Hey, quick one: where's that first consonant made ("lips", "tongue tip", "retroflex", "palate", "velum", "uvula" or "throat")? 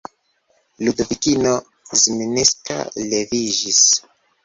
tongue tip